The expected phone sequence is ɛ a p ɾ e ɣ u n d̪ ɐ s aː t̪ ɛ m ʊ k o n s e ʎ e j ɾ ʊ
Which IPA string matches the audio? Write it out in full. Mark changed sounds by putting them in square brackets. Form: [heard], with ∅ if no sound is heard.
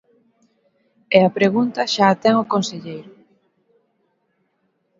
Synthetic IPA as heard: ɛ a p ɾ e ɣ u n [t̪] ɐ [ʃ] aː t̪ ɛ [ŋ] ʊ k o n s e ʎ e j ɾ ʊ